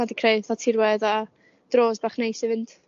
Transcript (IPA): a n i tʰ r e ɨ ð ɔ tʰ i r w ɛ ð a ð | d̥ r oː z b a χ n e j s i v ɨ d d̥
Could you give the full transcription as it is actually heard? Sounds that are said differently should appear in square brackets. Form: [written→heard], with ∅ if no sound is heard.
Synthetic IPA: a [n→d] i [tʰ→kʰ] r e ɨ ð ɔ tʰ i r w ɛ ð a [ð→∅] | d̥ r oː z b a χ n e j s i v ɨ [d→n] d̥

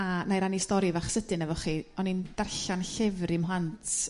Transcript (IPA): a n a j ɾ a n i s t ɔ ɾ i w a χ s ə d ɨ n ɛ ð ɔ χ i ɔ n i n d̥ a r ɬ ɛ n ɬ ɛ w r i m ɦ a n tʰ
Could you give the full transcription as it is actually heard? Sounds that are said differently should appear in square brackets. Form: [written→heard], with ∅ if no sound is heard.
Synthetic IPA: a n a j ɾ a n i s t ɔ ɾ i [w→v] a χ s ə d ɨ n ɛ [ð→v] ɔ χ i ɔ n i n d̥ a r ɬ [ɛ→a] n ɬ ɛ [w→v] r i m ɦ a n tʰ

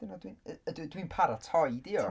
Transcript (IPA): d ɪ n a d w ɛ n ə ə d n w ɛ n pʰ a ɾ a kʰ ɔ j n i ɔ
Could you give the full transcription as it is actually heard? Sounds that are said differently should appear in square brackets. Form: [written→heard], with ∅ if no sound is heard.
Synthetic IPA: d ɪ n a d w [ɛ→i] n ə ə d [n→d] w [ɛ→i] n pʰ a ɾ a [kʰ→tʰ] ɔ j [n→d] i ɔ

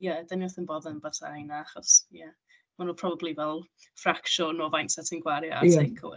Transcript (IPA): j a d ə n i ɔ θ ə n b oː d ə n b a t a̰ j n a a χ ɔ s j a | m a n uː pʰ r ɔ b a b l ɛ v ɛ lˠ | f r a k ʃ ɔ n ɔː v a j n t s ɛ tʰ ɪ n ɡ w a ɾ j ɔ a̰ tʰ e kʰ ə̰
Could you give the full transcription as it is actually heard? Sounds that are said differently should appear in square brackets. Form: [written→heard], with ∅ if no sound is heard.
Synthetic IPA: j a d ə n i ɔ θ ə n b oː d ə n b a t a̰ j n a a χ ɔ s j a | m a n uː pʰ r ɔ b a b l [ɛ→i] v ɛ lˠ | f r a k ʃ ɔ n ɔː v a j n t s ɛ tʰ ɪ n ɡ w a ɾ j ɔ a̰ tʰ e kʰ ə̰

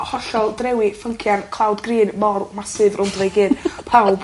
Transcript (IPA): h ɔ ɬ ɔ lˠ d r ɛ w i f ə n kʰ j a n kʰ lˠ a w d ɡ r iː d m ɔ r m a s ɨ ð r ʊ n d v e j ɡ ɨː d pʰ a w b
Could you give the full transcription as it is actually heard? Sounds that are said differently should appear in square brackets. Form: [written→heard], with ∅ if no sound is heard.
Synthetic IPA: h ɔ ɬ ɔ lˠ d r ɛ w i f ə [n→ŋ] kʰ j a n kʰ lˠ a w d ɡ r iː [d→n] m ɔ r m a s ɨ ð r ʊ n d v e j ɡ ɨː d pʰ a w b

